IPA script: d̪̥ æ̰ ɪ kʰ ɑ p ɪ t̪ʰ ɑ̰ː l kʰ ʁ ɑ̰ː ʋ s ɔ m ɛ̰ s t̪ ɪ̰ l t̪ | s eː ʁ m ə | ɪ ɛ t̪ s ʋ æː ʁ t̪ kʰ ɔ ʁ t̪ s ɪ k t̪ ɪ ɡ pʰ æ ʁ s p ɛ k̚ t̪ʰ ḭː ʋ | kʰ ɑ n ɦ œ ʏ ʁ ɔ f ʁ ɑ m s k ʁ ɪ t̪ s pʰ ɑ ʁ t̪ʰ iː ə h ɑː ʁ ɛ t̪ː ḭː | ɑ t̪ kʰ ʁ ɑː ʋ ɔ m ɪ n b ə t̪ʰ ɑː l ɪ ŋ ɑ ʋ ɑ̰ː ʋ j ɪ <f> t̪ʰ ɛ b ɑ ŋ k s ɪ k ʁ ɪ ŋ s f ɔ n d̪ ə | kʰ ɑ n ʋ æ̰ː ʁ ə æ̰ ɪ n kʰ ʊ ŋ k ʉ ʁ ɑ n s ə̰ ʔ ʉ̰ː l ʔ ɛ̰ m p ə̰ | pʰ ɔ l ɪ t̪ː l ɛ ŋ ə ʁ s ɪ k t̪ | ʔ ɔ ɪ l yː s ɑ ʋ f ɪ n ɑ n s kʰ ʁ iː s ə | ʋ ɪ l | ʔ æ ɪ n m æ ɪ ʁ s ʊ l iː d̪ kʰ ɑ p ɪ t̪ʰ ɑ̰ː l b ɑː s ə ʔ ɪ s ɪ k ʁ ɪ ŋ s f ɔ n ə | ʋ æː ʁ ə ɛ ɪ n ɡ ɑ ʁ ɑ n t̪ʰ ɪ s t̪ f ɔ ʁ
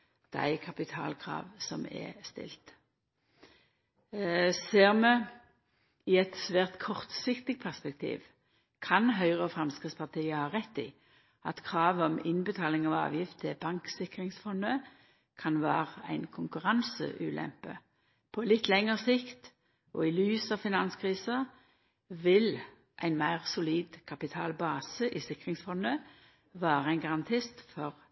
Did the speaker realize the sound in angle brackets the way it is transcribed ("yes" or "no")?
yes